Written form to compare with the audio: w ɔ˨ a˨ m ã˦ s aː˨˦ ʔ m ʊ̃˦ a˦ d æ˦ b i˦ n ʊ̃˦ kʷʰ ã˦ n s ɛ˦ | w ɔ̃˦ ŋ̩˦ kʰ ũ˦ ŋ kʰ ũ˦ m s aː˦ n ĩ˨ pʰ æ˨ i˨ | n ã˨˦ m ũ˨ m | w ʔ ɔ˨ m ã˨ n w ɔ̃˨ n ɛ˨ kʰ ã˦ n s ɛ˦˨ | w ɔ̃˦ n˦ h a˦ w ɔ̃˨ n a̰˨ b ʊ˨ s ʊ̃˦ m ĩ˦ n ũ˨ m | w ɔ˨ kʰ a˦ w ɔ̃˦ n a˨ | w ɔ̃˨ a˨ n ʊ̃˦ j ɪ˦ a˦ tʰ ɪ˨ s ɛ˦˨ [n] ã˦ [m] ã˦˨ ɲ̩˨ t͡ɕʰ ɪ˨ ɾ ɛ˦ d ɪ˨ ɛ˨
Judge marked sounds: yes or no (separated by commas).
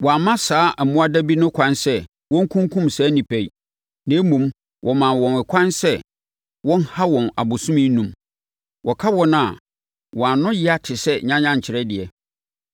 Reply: no, no